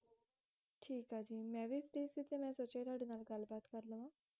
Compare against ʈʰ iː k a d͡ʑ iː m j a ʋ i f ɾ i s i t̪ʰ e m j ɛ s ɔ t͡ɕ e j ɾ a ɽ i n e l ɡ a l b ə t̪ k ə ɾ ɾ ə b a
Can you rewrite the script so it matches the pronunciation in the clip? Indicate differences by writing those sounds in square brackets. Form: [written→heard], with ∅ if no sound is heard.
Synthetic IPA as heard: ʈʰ iː k a d͡ʑ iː m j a ʋ i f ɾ i s i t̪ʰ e m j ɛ s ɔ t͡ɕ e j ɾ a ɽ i n [e→a] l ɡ a l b [ə→a] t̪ k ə ɾ [ɾ→l] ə [b→m] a